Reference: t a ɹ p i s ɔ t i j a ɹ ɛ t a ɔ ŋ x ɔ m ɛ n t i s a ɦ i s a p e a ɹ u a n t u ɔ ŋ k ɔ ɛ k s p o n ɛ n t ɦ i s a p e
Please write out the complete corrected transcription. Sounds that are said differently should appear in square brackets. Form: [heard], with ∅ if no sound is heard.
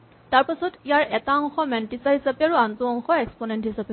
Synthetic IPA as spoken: t a ɹ p [a] s ɔ t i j a ɹ ɛ t a ɔ ŋ x ɔ m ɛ n t i s a ɦ i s a p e a ɹ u a n t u ɔ ŋ [x] ɔ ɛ k s p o n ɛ n t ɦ i s a p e

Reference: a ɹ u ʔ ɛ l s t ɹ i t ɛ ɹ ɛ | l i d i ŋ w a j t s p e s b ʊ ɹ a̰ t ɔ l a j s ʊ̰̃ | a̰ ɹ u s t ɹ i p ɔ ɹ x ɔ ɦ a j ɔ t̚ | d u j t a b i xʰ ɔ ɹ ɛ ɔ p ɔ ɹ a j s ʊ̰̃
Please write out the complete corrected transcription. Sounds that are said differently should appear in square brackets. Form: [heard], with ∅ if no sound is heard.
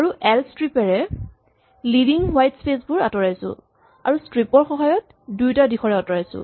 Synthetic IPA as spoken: a ɹ u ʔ ɛ l s t ɹ i [p] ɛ ɹ ɛ | l i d i ŋ w a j t s p e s b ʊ ɹ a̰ t ɔ [ɹ] a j s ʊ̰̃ | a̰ ɹ u s t ɹ i p ɔ ɹ x ɔ ɦ a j ɔ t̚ | d u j t a [d] i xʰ ɔ ɹ ɛ ɔ [t] ɔ ɹ a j s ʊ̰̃

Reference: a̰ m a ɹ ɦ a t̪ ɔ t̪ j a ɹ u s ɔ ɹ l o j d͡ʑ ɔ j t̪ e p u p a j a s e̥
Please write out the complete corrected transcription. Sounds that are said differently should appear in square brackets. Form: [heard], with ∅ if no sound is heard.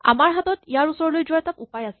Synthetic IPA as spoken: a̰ m a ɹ ɦ a t̪ ɔ t̪ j a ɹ u s ɔ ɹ l o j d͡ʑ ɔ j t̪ [a] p u p a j a s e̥

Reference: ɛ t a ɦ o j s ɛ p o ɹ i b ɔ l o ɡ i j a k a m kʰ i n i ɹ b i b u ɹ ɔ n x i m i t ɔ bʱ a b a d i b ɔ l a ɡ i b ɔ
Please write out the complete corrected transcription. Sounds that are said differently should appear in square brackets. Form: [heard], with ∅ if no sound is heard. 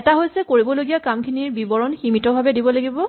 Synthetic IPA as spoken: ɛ t a ɦ o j s ɛ [k] o ɹ i b ɔ l o ɡ i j a k a m kʰ i n i ɹ b i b [ɔ] ɹ ɔ n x i m i t ɔ bʱ a b [ɛ] d i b ɔ l a ɡ i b ɔ

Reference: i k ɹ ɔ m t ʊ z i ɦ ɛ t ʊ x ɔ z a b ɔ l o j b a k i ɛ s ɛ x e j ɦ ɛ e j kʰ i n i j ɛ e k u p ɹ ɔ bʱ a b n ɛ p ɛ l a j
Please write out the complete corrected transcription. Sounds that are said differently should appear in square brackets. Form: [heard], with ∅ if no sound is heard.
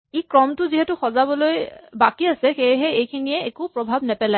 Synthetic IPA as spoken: i k ɹ ɔ m t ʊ z i ɦ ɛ t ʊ x ɔ z a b ɔ l o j b a k i [a] s ɛ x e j ɦ ɛ e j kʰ i n i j ɛ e k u p ɹ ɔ bʱ a b n ɛ p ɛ l a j

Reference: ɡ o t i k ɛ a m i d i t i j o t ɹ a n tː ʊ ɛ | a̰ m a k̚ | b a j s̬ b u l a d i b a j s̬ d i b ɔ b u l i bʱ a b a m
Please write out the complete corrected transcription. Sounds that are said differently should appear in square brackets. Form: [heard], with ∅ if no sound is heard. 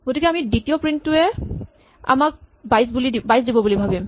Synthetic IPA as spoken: ɡ o t i k ɛ a m i d i t i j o [p] ɹ [i] n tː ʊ ɛ | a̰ m a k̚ | b a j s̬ b u l [i] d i b a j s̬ d i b ɔ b u l i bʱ a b [i] m

